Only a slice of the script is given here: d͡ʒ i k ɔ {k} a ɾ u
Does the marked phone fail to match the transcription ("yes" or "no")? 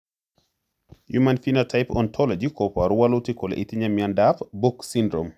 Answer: yes